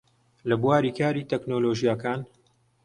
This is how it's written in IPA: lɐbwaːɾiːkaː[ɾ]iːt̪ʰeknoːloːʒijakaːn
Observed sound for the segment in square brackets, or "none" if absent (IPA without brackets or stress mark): ɾ